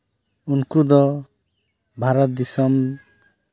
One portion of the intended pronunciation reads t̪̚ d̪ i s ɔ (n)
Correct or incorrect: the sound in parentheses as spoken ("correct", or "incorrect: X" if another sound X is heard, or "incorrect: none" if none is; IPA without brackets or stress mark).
incorrect: m